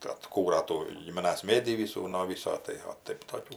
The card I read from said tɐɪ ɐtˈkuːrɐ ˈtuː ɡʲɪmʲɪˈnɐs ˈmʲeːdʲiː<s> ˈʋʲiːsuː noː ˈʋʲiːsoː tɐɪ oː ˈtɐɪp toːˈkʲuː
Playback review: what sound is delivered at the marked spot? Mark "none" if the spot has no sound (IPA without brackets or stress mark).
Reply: none